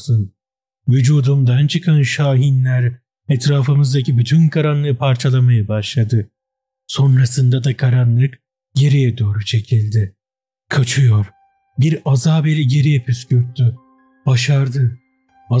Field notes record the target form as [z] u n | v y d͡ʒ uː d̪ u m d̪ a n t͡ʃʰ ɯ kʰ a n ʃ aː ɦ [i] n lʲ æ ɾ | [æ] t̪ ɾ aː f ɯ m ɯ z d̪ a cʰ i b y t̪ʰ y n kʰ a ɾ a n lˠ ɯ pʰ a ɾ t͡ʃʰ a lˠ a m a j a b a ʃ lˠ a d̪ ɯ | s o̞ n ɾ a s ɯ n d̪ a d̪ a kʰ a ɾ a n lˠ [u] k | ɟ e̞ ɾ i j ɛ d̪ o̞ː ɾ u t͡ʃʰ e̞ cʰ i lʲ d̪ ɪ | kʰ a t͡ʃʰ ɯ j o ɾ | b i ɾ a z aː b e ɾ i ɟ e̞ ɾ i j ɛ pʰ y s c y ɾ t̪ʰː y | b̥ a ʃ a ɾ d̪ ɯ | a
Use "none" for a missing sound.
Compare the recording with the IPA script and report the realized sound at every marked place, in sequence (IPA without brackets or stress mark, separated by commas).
s, i, ɛ, ɯ